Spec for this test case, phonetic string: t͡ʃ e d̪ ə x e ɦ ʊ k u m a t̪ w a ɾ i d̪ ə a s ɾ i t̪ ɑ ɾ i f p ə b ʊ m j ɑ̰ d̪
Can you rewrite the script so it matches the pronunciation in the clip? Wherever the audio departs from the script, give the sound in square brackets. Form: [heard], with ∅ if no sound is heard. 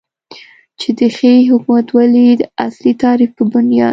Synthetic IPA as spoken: t͡ʃ e d̪ ə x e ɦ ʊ k u m a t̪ w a [l] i d̪ ə a s [l] i t̪ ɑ ɾ i f p ə b ʊ [n] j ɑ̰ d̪